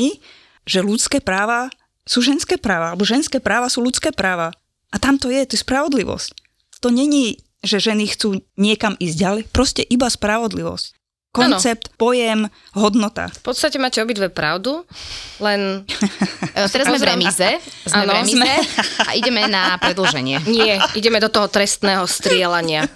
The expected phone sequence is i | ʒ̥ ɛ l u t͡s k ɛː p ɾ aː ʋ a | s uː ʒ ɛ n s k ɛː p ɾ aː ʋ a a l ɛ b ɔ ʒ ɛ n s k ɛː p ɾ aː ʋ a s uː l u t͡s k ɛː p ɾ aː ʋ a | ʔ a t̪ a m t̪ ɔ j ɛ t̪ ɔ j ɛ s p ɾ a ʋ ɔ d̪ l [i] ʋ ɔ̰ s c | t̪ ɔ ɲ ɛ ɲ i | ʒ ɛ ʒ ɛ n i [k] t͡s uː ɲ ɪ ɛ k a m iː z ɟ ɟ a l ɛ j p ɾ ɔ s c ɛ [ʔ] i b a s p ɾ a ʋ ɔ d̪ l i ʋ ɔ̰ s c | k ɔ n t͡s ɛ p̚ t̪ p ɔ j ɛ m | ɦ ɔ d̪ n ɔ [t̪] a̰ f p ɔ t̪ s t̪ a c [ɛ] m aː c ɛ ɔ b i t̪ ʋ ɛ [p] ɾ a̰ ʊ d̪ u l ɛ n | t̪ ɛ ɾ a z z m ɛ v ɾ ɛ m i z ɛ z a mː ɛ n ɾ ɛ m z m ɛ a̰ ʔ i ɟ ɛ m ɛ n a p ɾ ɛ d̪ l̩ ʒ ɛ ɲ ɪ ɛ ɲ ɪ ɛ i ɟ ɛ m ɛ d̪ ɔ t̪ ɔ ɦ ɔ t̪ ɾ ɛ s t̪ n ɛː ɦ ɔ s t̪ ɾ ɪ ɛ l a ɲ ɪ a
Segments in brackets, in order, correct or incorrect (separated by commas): correct, incorrect, correct, correct, correct, correct